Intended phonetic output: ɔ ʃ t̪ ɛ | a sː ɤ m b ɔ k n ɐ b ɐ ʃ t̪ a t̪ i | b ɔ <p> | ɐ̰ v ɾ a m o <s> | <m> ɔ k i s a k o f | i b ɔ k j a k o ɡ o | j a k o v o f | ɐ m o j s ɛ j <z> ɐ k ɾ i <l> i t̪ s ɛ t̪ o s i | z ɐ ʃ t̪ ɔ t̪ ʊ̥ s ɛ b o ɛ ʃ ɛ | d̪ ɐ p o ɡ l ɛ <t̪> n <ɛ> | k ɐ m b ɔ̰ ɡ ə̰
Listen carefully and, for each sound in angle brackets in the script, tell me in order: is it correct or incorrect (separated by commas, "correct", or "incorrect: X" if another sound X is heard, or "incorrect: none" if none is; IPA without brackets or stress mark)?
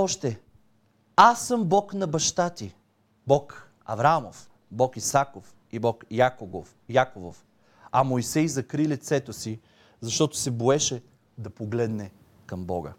incorrect: k, incorrect: f, incorrect: b, correct, correct, incorrect: d̪, correct